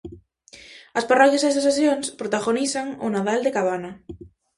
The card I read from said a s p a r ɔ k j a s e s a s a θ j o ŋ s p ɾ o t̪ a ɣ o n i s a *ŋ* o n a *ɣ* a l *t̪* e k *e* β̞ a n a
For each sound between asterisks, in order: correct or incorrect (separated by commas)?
correct, incorrect, incorrect, incorrect